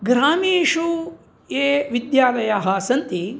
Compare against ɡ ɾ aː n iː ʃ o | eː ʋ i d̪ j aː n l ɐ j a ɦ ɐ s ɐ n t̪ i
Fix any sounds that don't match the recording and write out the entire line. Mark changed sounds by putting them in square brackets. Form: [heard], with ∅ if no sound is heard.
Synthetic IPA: ɡ ɾ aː [m] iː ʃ [u] | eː ʋ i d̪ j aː [∅] l ɐ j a ɦ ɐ s ɐ n t̪ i